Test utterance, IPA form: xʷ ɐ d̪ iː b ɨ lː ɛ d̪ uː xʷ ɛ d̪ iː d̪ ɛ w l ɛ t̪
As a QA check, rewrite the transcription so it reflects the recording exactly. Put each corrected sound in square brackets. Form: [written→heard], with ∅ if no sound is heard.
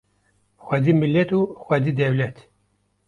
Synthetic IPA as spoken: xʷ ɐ d̪ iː [b→m] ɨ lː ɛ [d̪→t̪] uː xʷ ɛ d̪ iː d̪ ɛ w l ɛ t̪

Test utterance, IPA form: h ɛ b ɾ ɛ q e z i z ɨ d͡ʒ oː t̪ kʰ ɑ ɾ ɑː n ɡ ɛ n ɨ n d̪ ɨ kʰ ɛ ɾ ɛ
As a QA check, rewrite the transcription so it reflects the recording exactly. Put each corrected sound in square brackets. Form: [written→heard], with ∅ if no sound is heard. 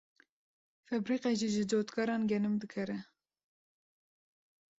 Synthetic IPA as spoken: [h→f] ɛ b ɾ [ɛ→i] q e [z→ʒ] i [z→ʒ] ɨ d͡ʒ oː t̪ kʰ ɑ ɾ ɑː n ɡ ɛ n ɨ [n→m] d̪ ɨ kʰ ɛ ɾ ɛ

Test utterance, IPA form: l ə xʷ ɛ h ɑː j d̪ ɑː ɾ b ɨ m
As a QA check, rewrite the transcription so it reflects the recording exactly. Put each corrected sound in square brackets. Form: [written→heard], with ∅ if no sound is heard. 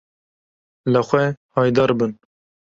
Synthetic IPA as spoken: l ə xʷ ɛ h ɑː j d̪ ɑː ɾ b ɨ [m→n]

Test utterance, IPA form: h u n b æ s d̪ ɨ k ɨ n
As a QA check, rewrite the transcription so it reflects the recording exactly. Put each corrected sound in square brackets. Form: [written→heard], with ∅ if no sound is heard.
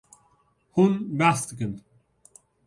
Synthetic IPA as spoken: h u n b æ s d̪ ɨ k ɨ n

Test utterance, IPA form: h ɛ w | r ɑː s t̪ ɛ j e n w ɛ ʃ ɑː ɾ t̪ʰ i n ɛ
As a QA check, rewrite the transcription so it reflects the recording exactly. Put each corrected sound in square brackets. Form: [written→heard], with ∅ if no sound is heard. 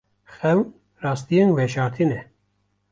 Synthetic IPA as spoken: [h→x] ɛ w | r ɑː s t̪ [ɛ→i] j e n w ɛ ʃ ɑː ɾ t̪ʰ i n ɛ

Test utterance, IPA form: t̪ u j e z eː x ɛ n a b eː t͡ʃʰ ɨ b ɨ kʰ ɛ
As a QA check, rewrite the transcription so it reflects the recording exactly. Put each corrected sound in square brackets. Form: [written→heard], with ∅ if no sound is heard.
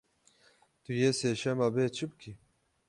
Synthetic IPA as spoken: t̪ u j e [z→s] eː [x→ʃ] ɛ [n→m] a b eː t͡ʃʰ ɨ b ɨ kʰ [ɛ→i]

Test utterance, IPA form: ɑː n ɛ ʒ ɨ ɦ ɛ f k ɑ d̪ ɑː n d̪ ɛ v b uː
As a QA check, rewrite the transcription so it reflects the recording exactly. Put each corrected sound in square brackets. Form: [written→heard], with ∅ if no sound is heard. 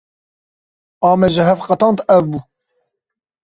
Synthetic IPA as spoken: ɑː [n→m] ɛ ʒ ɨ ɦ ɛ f [k→q] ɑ [d̪→t̪] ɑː n [d̪→t̪] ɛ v b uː

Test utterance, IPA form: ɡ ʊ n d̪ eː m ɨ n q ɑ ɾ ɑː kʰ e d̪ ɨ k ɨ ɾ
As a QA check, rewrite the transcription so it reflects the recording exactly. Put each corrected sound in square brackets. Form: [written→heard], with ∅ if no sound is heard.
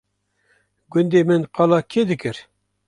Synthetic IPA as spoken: ɡ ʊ n d̪ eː m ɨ n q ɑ [ɾ→l] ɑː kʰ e d̪ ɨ k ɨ ɾ

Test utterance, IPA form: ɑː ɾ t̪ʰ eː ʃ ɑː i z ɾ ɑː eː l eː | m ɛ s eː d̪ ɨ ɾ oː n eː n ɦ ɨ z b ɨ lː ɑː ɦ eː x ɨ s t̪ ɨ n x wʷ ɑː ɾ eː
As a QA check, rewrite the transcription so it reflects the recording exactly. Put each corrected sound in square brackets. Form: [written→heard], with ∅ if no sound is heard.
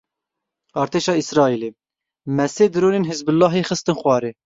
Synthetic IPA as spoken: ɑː ɾ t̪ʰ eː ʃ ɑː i [z→s] ɾ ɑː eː l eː | m ɛ s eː d̪ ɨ ɾ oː n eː n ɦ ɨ z b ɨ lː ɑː ɦ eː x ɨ s t̪ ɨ n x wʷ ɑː ɾ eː

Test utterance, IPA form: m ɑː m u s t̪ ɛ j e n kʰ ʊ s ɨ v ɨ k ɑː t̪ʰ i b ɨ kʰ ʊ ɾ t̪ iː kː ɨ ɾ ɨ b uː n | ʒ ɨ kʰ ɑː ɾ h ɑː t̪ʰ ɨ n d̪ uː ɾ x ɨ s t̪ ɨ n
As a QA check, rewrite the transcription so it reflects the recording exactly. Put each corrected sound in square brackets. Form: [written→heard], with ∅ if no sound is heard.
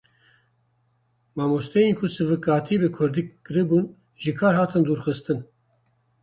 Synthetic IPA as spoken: m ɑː m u s t̪ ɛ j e n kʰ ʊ s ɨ v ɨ k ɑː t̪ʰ i b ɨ kʰ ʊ ɾ [t̪→d̪] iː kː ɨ ɾ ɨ b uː n | ʒ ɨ kʰ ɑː ɾ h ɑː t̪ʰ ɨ n d̪ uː ɾ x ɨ s t̪ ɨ n

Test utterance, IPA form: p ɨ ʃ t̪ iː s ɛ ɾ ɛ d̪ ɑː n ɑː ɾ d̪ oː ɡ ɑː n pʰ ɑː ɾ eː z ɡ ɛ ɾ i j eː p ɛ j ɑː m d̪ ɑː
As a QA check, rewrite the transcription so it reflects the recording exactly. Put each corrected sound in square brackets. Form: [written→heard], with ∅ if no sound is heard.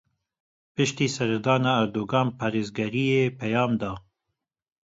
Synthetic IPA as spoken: p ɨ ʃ t̪ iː s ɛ ɾ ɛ d̪ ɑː n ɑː ɾ d̪ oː ɡ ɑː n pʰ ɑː ɾ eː z ɡ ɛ ɾ i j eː p ɛ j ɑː m d̪ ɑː

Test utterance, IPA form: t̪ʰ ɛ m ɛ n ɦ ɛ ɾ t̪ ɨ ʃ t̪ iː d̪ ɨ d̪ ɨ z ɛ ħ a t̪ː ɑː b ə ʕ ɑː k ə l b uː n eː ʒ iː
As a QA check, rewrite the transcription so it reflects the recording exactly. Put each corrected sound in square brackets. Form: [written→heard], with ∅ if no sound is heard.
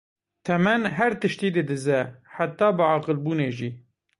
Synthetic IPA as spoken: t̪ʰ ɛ m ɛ n ɦ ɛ ɾ t̪ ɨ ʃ t̪ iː d̪ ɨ d̪ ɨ z ɛ ħ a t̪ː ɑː b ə ʕ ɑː [k→q] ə l b uː n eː ʒ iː

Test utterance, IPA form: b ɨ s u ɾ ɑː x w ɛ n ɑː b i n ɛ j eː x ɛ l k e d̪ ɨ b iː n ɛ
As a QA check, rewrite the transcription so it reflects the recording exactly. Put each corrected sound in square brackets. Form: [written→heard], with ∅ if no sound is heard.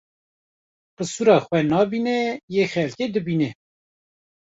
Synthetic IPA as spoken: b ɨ s u ɾ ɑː x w ɛ n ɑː b i n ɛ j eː x ɛ l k e d̪ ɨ b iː n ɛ

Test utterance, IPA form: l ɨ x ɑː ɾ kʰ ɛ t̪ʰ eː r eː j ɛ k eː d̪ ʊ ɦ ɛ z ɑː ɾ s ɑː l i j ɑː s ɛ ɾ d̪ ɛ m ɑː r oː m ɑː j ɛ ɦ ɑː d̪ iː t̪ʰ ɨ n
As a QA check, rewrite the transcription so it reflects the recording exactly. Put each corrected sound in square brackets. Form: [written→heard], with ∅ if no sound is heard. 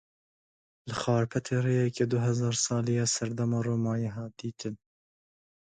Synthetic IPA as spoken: l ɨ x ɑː ɾ [kʰ→pʰ] ɛ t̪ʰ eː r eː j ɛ k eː d̪ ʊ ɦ ɛ z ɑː ɾ s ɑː l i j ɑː s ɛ ɾ d̪ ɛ m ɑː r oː m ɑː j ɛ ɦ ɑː d̪ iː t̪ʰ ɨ n

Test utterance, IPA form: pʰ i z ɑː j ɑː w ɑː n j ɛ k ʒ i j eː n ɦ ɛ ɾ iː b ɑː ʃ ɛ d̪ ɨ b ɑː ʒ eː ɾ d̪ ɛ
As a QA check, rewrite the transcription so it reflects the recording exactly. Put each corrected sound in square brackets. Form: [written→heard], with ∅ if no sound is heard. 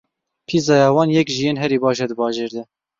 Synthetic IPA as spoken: pʰ i z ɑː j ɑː w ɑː n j ɛ k ʒ i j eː n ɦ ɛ ɾ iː b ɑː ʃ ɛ d̪ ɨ b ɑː ʒ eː ɾ d̪ ɛ

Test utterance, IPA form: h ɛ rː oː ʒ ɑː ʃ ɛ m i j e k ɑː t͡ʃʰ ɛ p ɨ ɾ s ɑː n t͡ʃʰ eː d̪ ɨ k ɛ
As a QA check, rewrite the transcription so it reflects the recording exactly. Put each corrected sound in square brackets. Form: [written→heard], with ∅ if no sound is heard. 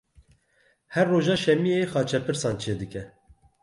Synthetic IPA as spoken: h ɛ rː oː ʒ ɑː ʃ ɛ m i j e [k→x] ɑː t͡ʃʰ ɛ p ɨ ɾ s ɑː n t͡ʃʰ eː d̪ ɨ k ɛ

